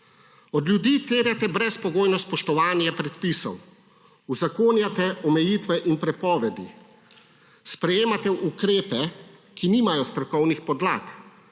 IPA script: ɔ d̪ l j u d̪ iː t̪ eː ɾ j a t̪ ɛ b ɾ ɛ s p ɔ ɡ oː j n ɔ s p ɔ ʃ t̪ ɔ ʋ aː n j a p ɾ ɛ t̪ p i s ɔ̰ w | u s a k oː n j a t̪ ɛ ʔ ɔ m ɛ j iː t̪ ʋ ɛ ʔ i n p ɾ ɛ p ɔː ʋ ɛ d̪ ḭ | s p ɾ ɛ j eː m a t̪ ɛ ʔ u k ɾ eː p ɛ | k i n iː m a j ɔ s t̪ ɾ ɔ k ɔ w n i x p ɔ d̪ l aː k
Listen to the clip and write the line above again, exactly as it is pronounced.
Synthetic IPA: ɔ d̪ l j u d̪ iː t̪ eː ɾ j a t̪ ɛ b ɾ ɛ s p ɔ ɡ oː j n ɔ s p ɔ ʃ t̪ ɔ ʋ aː n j a p ɾ ɛ t̪ p i s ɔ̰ w | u z a k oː n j a t̪ ɛ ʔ ɔ m ɛ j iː t̪ ʋ ɛ ʔ i n p ɾ ɛ p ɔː ʋ ɛ d̪ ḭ | s p ɾ ɛ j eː m a t̪ ɛ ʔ u k ɾ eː p ɛ | k i n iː m a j ɔ s t̪ ɾ ɔ k ɔ w n i x p ɔ d̪ l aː k